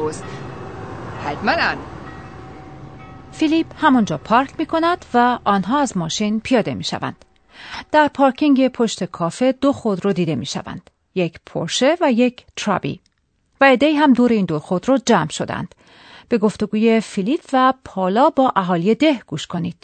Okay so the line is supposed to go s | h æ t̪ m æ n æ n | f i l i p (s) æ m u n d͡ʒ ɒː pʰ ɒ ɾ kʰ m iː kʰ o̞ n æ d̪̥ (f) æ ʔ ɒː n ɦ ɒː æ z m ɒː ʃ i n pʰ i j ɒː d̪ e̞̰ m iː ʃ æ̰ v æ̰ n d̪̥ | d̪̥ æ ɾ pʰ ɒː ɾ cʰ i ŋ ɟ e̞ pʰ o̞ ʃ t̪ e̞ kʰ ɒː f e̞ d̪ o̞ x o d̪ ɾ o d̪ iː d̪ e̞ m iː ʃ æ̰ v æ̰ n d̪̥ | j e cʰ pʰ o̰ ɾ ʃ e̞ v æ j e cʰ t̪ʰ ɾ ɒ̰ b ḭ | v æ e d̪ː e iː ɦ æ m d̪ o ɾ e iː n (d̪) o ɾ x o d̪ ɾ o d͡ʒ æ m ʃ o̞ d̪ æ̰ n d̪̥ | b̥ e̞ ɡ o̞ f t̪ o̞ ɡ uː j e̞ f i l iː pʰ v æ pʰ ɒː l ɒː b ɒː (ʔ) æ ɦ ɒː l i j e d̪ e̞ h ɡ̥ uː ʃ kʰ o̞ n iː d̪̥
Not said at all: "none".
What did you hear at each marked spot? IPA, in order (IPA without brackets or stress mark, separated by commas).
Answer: h, v, d̪, ʔ